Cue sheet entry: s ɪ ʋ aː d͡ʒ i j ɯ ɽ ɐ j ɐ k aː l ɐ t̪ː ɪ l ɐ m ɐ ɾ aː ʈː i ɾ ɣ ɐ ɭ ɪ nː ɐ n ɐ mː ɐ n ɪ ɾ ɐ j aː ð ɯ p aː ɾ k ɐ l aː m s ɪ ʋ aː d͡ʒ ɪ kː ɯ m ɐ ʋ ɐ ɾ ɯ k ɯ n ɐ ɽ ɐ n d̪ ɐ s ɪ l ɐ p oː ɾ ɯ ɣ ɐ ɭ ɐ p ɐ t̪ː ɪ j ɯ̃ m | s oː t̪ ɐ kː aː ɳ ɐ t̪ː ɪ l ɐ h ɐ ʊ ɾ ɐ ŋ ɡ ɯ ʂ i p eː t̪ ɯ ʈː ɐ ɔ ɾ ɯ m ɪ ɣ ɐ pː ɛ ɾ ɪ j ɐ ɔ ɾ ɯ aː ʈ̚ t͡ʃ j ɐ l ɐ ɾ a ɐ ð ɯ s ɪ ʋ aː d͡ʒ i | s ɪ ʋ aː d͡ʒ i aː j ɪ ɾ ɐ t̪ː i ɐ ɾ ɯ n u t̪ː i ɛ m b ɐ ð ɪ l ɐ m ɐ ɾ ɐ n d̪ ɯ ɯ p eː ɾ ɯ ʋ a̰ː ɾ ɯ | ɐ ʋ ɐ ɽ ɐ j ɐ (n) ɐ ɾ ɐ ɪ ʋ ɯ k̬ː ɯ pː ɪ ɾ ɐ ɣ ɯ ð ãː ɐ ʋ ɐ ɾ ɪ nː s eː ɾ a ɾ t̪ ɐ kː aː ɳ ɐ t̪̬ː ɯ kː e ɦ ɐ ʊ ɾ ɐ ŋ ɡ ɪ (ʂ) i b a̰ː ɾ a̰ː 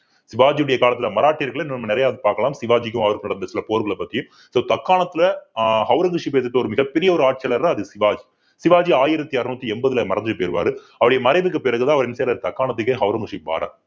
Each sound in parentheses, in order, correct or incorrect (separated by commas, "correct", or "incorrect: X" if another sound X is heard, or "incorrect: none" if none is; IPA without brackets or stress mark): incorrect: m, correct